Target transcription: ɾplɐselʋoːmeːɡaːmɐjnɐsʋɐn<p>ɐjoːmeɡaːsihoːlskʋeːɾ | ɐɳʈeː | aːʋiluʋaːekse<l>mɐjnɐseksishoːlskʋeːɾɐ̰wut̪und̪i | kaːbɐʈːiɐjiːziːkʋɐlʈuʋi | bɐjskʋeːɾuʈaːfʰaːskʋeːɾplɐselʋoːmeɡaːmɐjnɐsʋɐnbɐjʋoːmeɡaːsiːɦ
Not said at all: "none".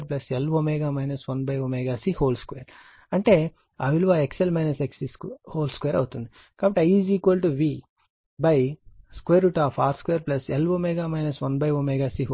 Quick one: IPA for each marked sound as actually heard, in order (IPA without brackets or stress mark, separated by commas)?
b, l